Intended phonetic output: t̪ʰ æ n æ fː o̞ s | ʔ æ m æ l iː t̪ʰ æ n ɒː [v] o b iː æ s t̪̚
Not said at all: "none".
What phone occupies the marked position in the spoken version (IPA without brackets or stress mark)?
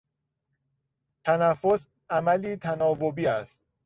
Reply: v